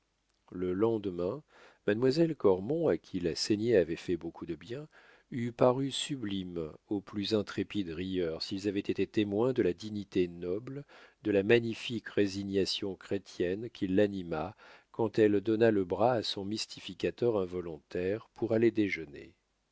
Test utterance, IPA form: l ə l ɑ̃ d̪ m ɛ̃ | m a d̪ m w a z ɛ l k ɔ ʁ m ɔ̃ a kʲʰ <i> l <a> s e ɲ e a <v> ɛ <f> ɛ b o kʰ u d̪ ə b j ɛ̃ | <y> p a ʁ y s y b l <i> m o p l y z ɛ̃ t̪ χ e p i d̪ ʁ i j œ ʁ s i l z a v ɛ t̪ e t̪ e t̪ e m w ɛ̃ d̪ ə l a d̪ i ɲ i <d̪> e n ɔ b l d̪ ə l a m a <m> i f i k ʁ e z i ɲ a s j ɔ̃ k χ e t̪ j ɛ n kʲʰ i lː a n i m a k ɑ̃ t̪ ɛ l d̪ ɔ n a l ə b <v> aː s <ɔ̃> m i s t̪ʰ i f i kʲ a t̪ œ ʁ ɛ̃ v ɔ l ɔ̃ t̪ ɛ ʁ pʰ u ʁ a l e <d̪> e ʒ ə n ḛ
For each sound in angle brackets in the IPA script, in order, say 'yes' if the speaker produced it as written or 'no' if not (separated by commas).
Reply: yes, yes, yes, yes, yes, yes, no, no, no, yes, yes